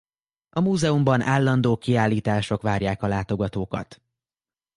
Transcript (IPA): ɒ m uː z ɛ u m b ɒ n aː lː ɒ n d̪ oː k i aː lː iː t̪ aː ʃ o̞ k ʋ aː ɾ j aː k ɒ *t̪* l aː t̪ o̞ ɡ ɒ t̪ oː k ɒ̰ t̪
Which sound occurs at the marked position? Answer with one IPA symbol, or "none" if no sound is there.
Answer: none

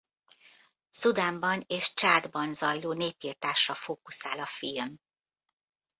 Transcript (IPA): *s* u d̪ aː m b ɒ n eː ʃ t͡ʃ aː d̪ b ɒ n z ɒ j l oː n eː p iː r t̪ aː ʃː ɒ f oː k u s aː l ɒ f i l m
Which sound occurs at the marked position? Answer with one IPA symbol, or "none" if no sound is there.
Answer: s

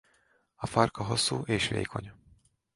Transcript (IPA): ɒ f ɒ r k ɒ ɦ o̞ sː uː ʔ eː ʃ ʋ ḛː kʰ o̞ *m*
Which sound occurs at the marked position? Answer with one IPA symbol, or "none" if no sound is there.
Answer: ɲ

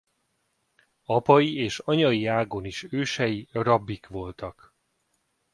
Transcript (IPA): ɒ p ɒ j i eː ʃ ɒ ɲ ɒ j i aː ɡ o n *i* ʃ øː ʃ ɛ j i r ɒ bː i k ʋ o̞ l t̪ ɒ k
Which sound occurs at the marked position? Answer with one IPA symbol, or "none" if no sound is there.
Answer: i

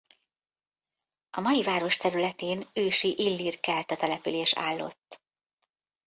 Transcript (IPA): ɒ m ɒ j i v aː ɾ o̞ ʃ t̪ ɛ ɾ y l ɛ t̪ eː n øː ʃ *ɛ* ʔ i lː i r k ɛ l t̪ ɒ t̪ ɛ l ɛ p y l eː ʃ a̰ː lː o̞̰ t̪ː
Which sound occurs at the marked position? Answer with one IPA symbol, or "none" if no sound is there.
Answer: i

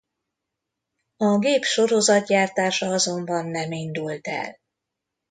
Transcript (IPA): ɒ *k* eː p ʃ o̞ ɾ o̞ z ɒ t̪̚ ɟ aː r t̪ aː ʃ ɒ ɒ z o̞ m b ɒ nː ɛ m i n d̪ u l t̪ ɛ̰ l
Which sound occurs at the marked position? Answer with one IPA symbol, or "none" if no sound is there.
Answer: ɡ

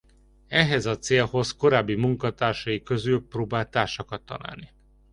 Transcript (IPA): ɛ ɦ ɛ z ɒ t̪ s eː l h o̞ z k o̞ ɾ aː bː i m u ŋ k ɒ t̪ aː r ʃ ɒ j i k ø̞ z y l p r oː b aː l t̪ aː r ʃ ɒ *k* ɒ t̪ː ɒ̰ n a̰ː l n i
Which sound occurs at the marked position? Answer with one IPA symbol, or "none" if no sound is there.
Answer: k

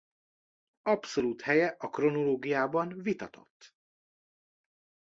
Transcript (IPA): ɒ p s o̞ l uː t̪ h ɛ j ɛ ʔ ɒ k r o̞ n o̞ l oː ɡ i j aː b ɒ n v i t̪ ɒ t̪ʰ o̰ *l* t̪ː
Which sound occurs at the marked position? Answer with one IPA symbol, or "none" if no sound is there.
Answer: none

